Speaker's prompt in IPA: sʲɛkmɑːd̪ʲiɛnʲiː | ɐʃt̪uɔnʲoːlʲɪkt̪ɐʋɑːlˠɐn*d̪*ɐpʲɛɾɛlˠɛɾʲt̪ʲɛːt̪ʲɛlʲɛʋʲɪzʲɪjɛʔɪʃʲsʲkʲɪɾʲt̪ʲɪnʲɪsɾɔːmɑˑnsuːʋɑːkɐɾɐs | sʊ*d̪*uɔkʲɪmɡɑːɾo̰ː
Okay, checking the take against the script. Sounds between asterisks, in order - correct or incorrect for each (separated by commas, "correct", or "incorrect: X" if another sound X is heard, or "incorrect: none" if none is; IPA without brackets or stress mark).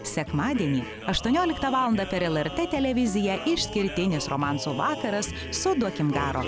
correct, correct